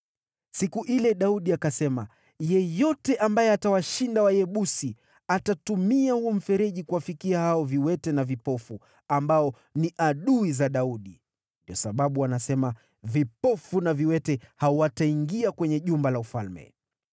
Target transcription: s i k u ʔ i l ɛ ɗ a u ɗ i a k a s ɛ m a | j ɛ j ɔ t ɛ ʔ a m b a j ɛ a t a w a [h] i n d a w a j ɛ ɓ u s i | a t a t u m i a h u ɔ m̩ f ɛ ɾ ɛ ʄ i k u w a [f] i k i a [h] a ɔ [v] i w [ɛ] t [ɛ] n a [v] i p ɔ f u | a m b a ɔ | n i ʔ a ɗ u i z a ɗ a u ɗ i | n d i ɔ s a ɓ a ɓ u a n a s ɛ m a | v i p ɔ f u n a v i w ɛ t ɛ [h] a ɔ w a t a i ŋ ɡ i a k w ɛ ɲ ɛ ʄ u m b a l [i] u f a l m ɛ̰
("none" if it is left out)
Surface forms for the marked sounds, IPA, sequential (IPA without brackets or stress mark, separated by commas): ʃ, f, h, v, ɛ, ɛ, v, h, a